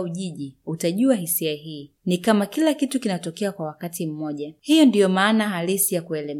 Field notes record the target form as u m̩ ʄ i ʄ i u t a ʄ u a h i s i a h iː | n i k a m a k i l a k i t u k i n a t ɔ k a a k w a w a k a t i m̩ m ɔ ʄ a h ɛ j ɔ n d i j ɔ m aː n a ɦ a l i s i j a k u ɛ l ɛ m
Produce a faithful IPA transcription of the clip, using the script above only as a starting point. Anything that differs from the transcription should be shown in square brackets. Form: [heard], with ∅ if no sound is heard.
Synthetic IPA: u [∅] ʄ i ʄ i u t a ʄ u a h i s i a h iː | n i k a m a k i l a k i t u k i n a t ɔ k [ɛ] a k w a w a k a t i m̩ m ɔ ʄ a h [i] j ɔ n d i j ɔ m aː n a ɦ a l i s i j a k u ɛ l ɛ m